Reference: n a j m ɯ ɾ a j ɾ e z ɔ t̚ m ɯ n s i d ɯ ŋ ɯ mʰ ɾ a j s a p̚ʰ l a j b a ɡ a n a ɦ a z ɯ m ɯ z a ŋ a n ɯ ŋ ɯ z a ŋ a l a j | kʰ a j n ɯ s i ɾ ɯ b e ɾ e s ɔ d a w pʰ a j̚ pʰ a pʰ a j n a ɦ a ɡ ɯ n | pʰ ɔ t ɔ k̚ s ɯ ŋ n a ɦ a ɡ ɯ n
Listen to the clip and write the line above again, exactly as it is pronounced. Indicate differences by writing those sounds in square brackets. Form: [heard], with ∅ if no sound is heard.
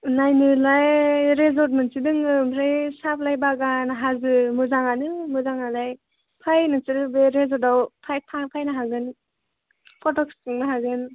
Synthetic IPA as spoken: n a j [n] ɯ [l] a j ɾ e z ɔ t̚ m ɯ n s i d ɯ ŋ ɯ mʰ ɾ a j s a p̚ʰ l a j b a ɡ a n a ɦ a z ɯ m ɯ z a ŋ a n ɯ [m] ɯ z a ŋ a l a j | [pʰ] a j n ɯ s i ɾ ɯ b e ɾ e [z] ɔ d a w pʰ a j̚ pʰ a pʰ a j n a ɦ a ɡ ɯ n | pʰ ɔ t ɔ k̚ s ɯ ŋ n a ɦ a ɡ ɯ n